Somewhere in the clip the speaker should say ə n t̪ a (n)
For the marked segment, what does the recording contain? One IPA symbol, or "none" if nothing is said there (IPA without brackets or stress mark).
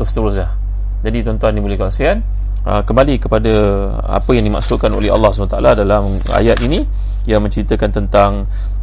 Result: ŋ